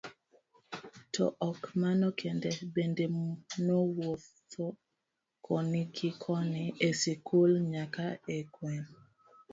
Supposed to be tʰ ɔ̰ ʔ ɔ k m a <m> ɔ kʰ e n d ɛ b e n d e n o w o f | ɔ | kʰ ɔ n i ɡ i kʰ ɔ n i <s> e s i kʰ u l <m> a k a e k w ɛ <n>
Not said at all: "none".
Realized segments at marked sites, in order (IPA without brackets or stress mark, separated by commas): n, none, ɲ, n